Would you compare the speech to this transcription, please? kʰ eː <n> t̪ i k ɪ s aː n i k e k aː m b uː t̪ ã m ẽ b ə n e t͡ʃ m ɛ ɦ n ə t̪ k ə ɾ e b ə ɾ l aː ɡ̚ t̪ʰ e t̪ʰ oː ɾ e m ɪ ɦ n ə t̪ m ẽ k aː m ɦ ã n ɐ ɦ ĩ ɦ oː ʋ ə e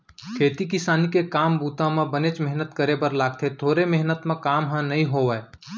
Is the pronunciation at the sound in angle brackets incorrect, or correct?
incorrect